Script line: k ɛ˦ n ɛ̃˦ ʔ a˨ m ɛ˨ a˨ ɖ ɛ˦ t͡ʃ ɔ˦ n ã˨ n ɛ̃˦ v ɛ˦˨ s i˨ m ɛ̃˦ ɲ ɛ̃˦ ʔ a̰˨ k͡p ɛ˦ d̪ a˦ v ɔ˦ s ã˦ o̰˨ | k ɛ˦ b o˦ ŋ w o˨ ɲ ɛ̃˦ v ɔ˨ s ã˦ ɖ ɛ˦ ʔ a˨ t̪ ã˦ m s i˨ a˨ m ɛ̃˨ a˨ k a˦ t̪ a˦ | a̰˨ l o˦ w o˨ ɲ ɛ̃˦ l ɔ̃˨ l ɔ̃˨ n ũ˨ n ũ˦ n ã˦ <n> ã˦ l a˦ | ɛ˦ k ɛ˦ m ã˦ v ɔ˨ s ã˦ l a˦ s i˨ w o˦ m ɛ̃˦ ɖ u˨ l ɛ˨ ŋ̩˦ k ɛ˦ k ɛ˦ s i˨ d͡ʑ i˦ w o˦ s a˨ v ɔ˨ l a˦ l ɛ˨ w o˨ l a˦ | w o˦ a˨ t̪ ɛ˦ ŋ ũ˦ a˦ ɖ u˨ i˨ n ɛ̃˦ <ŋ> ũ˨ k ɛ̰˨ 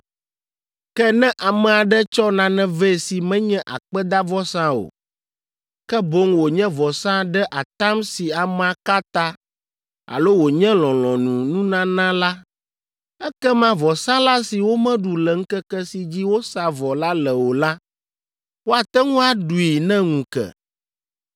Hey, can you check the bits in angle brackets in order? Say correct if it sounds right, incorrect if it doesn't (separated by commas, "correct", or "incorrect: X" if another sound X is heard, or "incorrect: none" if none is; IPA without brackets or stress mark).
correct, correct